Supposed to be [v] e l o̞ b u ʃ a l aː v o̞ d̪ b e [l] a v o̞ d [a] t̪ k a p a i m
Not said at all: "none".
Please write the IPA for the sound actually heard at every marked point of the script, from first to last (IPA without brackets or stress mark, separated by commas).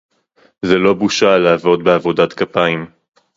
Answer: z, none, a